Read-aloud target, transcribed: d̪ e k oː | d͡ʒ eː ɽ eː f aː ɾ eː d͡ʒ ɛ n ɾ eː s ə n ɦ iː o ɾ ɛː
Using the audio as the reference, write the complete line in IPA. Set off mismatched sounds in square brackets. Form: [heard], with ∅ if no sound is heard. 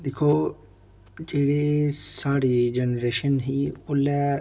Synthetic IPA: d̪ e [kʰ] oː | d͡ʒ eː ɽ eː [s] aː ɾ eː d͡ʒ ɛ n ɾ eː [ʃ] ə n ɦ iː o [l] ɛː